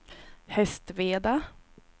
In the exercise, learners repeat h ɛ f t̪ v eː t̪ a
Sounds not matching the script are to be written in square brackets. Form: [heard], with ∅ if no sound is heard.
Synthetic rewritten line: h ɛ [s] t̪ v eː [d̪] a